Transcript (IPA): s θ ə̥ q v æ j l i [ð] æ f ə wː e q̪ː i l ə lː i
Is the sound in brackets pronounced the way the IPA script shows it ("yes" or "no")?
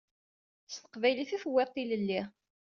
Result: no